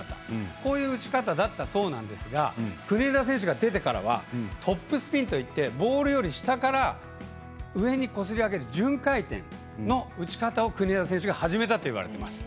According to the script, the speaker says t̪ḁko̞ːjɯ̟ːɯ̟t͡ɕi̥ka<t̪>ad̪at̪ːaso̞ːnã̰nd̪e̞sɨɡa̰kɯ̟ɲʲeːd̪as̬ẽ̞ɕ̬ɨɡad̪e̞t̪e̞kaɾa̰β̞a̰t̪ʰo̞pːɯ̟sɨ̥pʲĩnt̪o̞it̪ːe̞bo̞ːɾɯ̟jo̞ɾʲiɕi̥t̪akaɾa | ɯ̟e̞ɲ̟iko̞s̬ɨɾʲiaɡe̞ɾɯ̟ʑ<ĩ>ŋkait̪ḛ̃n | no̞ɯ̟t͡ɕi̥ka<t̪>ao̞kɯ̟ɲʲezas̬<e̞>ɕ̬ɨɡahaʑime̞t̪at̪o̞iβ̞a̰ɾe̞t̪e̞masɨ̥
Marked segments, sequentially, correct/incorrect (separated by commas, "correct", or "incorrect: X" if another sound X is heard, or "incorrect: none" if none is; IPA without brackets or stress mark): correct, incorrect: ɨ̃, correct, incorrect: ẽ̞